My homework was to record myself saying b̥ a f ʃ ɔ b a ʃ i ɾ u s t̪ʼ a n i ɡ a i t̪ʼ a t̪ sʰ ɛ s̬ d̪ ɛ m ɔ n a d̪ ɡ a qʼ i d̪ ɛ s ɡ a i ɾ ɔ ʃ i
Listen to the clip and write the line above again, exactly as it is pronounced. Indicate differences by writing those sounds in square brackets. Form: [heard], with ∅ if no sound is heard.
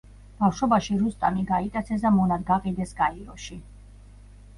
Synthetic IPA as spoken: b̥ a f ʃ ɔ b a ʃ i ɾ u s t̪ʼ a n i ɡ a i t̪ʼ a t̪ sʰ ɛ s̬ d̪ [a] m ɔ n a d̪ ɡ a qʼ i d̪ ɛ s ɡ a i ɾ ɔ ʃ i